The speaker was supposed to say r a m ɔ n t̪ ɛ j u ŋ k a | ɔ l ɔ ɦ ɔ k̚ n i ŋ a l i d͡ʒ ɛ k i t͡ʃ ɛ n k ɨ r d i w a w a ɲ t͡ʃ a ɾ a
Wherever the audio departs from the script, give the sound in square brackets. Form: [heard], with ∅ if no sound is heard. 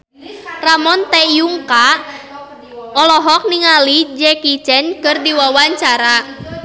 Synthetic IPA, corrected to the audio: r a m ɔ n t̪ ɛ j u ŋ k a | ɔ l ɔ ɦ ɔ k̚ n i ŋ a l i d͡ʒ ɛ k i t͡ʃ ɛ n k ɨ r d i w a w a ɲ t͡ʃ a ɾ a